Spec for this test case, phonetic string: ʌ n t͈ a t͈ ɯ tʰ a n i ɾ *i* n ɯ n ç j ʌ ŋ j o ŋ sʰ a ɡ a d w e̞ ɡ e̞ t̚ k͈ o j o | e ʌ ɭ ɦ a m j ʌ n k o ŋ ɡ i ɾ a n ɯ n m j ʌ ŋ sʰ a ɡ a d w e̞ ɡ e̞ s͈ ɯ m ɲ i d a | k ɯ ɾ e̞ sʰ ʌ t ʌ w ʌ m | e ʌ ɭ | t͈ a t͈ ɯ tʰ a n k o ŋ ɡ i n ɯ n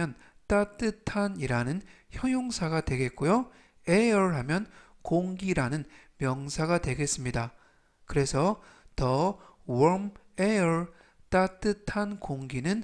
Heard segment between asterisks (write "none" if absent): a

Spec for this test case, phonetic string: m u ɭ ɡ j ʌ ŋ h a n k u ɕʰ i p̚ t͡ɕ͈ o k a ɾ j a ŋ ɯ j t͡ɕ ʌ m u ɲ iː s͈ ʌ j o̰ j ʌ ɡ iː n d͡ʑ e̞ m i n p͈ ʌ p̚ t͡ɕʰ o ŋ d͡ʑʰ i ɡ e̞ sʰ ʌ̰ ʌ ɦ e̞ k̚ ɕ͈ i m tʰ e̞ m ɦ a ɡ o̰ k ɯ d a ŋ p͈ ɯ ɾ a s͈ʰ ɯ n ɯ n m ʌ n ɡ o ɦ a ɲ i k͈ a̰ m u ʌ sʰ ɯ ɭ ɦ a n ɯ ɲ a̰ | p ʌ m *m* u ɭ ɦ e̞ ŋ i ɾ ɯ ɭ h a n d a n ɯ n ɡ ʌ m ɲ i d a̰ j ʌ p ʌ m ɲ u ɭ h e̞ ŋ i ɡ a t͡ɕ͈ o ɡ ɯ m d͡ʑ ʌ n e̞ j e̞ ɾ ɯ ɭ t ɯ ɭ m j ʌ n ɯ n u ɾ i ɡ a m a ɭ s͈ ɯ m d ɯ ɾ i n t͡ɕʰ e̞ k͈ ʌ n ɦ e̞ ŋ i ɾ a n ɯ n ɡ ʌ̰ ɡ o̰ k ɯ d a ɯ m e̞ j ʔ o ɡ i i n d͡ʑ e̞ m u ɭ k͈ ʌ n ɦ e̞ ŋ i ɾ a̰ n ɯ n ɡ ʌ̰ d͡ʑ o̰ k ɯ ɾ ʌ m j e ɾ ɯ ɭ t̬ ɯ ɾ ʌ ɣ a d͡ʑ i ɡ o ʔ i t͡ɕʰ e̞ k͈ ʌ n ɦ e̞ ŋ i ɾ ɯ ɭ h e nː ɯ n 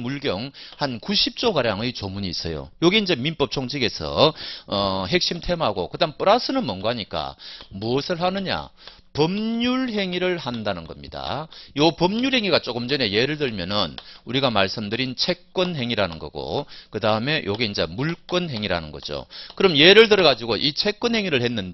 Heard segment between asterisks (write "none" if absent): ɲ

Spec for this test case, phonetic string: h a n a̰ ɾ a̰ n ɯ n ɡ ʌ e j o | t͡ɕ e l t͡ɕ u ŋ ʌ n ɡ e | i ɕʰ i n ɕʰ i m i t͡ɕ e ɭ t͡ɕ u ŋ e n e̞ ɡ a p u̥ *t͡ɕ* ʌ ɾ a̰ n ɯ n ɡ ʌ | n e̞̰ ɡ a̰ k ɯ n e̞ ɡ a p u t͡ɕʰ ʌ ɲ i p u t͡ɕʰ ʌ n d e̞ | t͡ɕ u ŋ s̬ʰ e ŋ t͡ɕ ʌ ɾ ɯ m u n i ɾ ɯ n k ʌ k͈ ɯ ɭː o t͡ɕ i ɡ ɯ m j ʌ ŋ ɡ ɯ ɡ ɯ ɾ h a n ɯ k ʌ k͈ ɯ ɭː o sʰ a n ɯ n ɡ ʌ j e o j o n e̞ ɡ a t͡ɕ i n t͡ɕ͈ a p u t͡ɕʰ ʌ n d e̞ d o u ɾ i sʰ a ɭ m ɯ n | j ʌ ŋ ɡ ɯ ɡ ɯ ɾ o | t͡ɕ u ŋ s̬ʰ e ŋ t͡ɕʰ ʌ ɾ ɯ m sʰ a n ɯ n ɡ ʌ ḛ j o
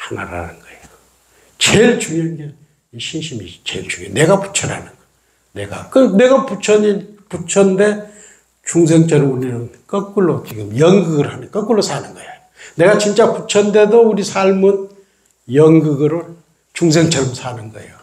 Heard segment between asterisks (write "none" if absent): t͡ɕʰ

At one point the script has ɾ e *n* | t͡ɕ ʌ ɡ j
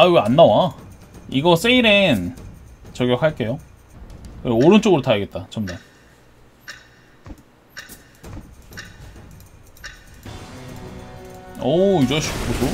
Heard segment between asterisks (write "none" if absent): n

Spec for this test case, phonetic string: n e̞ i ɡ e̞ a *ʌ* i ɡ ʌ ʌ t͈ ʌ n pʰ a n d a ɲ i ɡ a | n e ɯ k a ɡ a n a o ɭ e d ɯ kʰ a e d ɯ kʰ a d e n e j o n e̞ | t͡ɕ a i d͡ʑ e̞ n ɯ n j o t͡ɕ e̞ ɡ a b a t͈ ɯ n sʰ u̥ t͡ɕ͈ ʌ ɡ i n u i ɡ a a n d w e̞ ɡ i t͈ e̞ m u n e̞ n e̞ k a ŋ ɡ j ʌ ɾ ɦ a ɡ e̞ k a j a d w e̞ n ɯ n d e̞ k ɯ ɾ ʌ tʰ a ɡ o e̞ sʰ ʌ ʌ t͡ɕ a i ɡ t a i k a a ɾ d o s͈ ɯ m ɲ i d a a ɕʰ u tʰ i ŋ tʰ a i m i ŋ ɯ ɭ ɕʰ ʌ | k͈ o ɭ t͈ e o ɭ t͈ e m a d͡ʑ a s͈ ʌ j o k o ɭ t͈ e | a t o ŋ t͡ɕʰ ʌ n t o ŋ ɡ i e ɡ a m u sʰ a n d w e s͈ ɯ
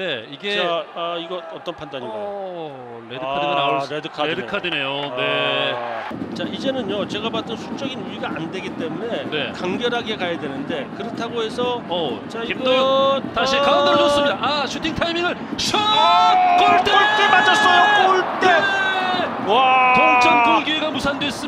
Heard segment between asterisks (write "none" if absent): a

